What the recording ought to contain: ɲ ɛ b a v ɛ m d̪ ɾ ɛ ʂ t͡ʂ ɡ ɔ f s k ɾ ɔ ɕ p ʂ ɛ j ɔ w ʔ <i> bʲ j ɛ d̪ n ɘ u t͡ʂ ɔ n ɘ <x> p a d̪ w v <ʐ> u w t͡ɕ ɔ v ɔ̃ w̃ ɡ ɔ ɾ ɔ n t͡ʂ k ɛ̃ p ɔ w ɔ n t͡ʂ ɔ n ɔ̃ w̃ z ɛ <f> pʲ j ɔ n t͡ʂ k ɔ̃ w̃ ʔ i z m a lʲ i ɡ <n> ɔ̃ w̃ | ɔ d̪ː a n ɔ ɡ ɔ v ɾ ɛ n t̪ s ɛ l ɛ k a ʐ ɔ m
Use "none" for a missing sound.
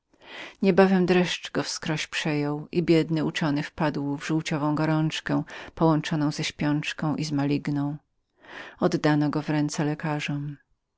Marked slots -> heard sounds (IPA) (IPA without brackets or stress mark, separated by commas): i, f, ʐ, ɕ, n